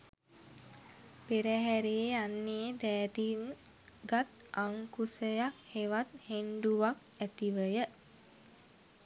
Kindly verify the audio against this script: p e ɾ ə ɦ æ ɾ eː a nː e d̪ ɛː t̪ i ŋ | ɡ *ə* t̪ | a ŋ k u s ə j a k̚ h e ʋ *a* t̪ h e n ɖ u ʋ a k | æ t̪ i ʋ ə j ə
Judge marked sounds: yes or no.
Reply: no, yes

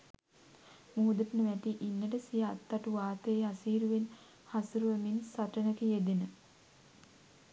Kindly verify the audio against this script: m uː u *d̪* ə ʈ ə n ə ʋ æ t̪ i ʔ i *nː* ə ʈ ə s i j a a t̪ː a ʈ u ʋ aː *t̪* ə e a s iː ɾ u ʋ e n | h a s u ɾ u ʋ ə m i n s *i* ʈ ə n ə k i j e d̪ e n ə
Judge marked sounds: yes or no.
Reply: yes, yes, yes, no

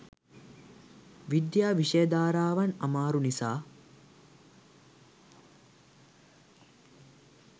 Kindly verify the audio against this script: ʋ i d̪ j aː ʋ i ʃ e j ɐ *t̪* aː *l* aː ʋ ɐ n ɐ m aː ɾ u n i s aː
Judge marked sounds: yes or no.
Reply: no, no

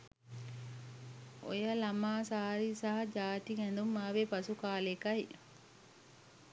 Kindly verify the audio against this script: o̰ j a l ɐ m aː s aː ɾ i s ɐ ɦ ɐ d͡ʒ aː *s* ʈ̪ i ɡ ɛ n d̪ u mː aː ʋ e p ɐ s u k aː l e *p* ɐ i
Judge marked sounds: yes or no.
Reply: no, no

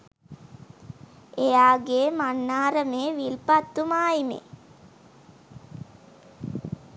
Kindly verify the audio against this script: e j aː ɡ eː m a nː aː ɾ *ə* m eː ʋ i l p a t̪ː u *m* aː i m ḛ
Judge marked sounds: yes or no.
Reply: yes, yes

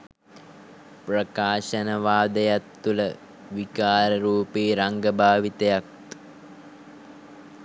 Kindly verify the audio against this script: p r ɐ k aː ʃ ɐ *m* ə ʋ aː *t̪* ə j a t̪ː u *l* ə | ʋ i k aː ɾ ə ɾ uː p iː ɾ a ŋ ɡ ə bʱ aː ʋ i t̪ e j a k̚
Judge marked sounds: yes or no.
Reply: no, no, yes

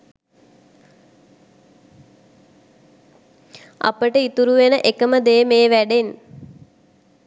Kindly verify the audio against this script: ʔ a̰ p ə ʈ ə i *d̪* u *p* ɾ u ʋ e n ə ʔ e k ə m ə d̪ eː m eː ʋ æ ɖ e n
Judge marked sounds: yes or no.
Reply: no, no

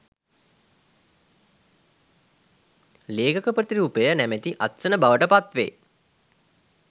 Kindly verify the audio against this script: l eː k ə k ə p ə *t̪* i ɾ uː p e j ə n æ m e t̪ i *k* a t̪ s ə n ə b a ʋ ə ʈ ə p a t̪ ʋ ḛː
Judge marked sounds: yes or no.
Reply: yes, no

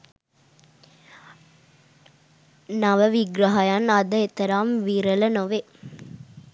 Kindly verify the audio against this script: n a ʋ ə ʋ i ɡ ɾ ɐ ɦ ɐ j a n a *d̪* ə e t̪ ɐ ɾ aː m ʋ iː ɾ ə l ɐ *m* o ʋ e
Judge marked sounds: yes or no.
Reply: yes, no

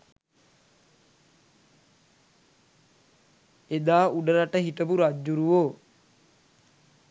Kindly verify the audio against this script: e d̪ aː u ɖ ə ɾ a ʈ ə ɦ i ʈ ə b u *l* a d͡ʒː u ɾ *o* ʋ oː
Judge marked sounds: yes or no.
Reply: no, no

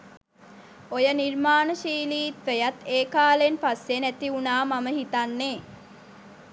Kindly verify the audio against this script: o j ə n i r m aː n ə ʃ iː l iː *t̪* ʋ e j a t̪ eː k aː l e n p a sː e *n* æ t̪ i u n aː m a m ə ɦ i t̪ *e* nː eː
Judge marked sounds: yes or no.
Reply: yes, yes, no

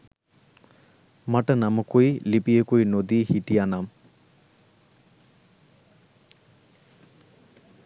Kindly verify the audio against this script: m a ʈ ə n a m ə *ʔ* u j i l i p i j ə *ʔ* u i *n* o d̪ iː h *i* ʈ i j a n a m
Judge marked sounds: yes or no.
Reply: no, no, yes, yes

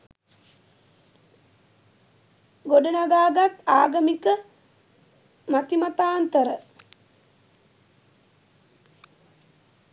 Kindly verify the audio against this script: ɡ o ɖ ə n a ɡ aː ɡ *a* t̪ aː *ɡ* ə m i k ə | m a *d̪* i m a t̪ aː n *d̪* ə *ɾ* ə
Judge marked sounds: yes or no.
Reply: yes, yes, no, no, yes

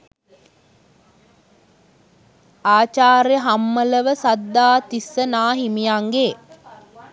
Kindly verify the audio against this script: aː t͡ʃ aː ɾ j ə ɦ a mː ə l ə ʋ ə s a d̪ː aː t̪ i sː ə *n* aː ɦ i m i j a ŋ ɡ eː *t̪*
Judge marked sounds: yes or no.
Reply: yes, no

